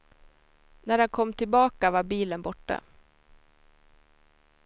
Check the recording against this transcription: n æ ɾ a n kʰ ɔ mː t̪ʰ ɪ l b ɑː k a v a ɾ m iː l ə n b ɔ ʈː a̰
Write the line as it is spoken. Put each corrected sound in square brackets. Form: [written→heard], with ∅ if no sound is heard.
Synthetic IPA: n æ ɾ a n kʰ ɔ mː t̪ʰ ɪ l b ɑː k a v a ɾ [m→b] iː l ə n b ɔ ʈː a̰